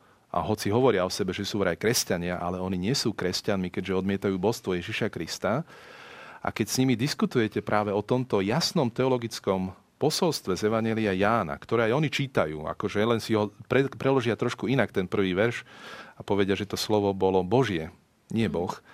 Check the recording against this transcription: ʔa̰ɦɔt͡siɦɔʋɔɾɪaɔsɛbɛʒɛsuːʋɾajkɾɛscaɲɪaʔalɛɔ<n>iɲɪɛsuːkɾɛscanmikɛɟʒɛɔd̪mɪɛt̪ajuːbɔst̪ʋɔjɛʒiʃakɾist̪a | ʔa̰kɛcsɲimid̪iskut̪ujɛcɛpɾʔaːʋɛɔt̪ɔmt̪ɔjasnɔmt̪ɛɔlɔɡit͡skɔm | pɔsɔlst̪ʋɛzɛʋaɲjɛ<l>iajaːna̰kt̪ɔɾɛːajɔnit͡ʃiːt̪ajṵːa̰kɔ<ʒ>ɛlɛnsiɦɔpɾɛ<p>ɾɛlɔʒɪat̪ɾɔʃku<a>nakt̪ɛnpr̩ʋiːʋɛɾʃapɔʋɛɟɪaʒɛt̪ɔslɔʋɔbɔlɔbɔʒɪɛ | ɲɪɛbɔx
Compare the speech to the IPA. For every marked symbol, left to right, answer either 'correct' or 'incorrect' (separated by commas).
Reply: correct, correct, correct, correct, incorrect